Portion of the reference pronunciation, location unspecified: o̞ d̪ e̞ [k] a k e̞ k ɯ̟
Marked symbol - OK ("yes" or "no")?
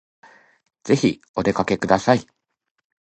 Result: yes